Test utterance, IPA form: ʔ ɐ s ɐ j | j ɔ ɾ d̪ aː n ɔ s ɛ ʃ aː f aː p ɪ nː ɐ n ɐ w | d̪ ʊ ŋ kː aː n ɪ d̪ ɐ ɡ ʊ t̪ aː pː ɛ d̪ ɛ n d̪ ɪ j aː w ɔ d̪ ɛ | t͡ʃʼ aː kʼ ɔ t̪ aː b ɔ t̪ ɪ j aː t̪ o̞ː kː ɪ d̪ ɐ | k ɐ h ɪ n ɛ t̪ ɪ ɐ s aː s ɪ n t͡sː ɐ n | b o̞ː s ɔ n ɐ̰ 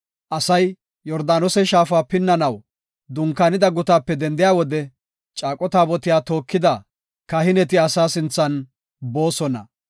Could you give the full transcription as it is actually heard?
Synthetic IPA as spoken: ʔ ɐ s ɐ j | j ɔ ɾ d̪ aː n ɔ s ɛ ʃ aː f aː p ɪ nː ɐ n ɐ w | d̪ ʊ ŋ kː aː n ɪ d̪ ɐ ɡ ʊ t̪ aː pː ɛ d̪ ɛ n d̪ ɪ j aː w ɔ d̪ ɛ | t͡ʃʼ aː kʼ ɔ t̪ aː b ɔ t̪ ɪ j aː t̪ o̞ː kː ɪ d̪ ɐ | k ɐ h ɪ n ɛ t̪ ɪ ɐ s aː s ɪ n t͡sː ɐ n | b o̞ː s ɔ n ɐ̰